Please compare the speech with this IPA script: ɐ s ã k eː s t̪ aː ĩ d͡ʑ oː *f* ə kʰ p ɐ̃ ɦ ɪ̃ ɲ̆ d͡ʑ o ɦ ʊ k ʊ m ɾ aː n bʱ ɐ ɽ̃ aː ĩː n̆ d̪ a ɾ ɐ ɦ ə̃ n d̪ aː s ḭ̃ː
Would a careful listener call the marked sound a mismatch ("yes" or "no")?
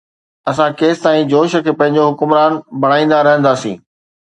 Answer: yes